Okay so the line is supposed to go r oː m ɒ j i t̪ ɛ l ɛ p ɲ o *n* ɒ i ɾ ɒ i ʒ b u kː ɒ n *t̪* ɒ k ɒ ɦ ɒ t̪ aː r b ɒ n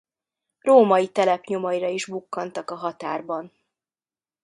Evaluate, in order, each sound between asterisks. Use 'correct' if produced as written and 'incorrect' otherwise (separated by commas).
incorrect, correct